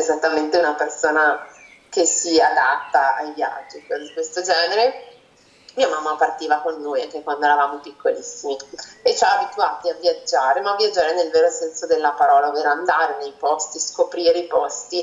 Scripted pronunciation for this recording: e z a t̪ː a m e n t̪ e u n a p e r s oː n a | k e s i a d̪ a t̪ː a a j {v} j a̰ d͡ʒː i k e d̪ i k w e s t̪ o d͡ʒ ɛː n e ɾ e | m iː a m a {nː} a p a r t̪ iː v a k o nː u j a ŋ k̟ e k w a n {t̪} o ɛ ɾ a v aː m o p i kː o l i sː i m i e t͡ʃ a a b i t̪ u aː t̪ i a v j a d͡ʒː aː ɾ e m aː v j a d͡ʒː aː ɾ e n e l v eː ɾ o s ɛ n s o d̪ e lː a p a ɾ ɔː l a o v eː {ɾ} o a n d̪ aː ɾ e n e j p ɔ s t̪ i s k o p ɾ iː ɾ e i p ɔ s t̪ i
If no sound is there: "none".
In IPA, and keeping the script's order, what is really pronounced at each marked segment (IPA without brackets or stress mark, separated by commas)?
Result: v, mː, d̪, ɾ